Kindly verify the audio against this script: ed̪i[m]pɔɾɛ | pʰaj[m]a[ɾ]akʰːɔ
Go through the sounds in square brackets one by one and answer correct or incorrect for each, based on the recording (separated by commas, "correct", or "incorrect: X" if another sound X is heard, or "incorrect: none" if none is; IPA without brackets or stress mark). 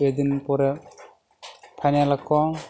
incorrect: n, incorrect: n, incorrect: l